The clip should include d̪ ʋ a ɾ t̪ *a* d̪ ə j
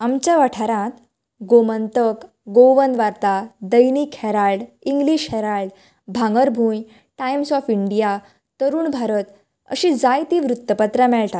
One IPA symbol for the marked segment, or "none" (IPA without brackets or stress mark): a